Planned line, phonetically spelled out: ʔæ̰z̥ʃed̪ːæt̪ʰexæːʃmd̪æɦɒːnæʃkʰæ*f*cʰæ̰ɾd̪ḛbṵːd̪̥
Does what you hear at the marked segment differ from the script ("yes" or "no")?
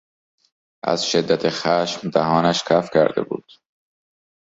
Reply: no